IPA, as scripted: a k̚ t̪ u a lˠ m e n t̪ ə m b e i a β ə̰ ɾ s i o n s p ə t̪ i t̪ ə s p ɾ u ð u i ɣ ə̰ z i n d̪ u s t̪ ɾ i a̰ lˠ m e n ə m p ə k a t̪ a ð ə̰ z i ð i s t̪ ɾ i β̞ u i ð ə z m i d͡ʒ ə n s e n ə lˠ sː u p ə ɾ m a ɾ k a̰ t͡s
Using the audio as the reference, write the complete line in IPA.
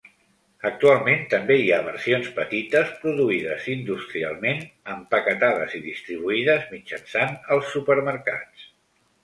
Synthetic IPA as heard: ə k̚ t̪ u a lˠ m e n t̪ ə m b e i a β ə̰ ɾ s i o n s p ə t̪ i t̪ ə s p ɾ u ð u i ð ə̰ z i n d̪ u s t̪ ɾ i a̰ lˠ m e n ə m p ə k ə t̪ a ð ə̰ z i ð i s t̪ ɾ i β̞ u i ð ə z m i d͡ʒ ə n s a n ə lˠ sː u p ə ɾ m ə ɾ k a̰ t͡s